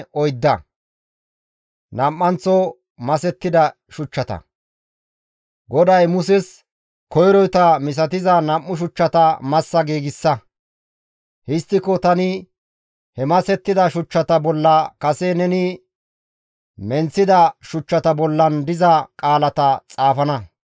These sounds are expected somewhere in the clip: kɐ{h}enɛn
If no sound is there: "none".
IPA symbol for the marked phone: s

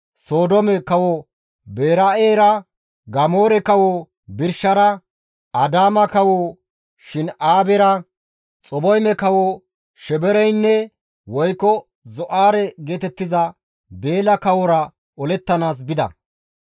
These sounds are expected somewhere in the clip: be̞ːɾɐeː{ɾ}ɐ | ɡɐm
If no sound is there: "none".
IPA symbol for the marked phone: ɾ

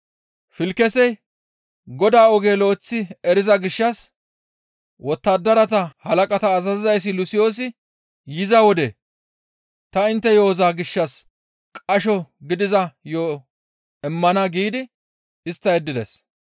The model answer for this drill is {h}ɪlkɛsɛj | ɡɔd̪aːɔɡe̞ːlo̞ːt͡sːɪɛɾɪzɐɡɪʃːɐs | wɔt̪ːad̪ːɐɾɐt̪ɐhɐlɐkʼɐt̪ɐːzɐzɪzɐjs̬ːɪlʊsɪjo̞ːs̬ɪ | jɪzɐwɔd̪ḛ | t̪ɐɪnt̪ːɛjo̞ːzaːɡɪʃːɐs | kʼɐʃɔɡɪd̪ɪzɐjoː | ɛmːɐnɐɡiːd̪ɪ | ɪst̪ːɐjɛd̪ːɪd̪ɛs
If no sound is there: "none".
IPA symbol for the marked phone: f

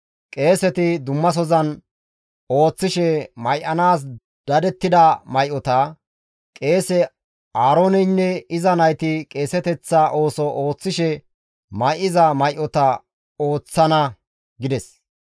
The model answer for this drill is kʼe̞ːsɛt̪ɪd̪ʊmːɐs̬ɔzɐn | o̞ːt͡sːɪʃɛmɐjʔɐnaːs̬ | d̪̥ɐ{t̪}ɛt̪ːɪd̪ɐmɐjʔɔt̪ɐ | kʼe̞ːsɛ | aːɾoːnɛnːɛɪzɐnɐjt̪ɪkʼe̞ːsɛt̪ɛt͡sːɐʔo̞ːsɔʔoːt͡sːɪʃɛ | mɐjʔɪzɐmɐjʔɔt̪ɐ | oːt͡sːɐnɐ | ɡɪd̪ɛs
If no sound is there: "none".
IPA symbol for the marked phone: d̪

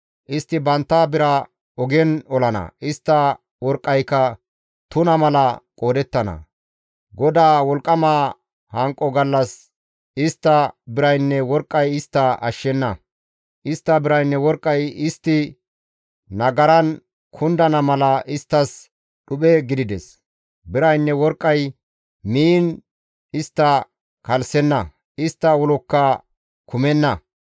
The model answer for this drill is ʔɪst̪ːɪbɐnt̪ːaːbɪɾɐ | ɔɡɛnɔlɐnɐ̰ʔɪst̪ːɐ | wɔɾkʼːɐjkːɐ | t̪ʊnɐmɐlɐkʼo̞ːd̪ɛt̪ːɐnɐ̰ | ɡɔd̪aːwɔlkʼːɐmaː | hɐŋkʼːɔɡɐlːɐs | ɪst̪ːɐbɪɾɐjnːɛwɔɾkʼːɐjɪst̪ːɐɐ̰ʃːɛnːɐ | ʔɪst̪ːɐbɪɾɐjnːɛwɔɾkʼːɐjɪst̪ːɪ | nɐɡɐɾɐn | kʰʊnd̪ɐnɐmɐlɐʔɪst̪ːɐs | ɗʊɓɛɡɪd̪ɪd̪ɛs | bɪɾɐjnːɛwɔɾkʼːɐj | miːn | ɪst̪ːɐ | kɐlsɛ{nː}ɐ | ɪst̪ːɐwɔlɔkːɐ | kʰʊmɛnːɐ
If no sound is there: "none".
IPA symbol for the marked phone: nː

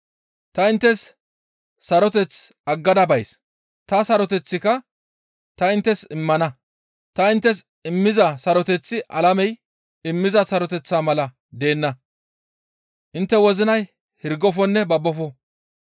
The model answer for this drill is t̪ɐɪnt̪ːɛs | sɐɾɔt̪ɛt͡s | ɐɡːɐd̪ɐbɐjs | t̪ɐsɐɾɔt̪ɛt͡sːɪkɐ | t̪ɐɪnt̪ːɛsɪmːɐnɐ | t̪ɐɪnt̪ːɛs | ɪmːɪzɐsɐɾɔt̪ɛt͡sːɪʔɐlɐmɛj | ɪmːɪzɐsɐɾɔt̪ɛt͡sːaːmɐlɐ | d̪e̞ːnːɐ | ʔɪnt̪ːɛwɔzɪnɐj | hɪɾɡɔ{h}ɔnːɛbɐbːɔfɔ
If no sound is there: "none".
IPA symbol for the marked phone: f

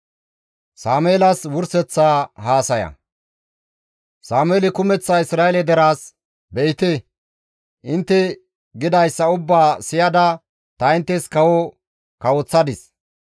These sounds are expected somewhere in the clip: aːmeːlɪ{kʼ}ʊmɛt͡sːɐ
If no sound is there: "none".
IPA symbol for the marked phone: k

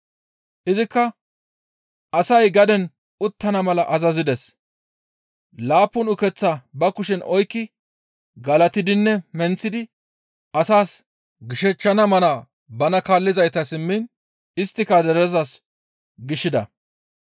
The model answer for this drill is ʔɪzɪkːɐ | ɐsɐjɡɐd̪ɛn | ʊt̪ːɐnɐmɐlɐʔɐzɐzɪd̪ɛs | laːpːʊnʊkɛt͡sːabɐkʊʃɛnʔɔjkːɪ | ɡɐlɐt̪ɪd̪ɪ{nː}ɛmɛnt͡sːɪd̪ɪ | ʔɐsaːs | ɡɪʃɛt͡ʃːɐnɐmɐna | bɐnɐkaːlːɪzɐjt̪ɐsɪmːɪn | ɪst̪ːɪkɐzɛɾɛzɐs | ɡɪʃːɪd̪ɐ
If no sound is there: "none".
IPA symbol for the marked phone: nː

